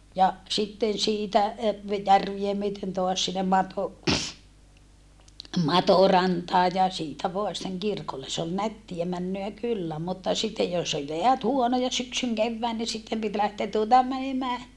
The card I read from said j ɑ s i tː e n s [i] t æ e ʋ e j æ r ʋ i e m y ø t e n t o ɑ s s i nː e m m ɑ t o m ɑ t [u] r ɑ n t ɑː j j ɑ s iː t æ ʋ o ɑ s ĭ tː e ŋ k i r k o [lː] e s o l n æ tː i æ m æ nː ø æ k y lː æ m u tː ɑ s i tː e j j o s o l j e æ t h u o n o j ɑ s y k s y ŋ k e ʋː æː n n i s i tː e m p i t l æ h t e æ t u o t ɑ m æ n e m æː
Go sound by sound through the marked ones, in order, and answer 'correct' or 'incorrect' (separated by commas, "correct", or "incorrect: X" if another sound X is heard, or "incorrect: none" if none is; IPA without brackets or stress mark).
incorrect: iː, incorrect: o, correct